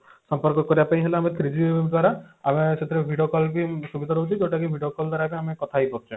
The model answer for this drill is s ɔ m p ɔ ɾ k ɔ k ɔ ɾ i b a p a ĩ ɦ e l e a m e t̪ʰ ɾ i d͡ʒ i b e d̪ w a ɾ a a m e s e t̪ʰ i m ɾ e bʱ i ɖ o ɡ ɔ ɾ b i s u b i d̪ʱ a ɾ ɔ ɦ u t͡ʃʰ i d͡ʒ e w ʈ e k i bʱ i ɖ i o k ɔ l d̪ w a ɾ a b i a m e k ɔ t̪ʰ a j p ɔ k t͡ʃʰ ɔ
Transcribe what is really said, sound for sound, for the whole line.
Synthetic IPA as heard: s ɔ m p ɔ ɾ k ɔ k ɔ ɾ i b a p a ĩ ɦ e l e a m e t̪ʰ ɾ i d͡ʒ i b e d̪ w a ɾ a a m e s e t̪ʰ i ɾ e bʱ i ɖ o k ɔ l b i s u b i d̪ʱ a ɾ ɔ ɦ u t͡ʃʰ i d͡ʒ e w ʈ a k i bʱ i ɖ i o k ɔ l d̪ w a ɾ a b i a m e k ɔ t̪ʰ a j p ɔ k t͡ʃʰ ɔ